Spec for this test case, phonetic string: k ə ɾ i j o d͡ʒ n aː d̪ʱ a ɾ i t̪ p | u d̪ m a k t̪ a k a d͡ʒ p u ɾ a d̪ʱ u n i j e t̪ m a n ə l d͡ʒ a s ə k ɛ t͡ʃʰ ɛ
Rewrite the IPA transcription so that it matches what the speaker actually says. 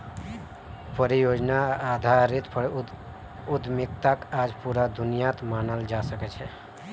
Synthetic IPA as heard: p ə ɾ i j o d͡ʒ n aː d̪ʱ a ɾ i t̪ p | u d̪ m i k t̪ a k a d͡ʒ p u ɾ a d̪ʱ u n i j a t̪ m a n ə l d͡ʒ a s ə k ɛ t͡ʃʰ ɛ